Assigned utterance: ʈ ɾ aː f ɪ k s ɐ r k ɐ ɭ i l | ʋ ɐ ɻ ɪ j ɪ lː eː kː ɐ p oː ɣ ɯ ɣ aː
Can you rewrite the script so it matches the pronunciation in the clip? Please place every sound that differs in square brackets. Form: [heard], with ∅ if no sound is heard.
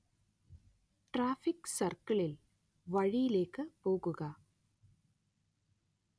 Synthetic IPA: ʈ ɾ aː f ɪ k s ɐ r k ɐ ɭ [ɪ] l | ʋ ɐ ɻ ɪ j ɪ [l] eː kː ɐ p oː ɣ ɯ ɣ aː